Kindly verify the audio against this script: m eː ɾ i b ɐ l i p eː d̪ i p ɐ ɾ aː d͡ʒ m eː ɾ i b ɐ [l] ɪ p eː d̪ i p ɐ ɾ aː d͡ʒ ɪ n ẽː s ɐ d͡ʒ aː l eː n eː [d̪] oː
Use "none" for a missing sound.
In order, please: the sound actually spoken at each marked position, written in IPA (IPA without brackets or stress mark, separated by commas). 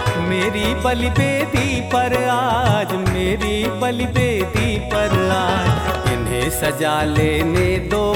l, d̪